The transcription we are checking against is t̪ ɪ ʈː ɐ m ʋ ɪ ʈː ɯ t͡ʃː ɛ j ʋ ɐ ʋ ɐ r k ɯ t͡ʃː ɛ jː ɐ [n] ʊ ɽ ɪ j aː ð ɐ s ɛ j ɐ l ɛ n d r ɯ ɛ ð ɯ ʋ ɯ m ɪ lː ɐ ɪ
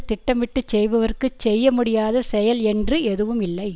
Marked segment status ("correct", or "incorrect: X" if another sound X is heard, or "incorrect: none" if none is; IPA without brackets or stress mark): incorrect: m